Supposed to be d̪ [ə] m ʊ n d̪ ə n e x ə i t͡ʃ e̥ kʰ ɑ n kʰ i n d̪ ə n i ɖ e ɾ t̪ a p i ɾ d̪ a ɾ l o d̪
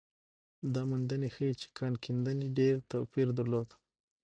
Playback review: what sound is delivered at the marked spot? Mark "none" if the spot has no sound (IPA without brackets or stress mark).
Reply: ɑ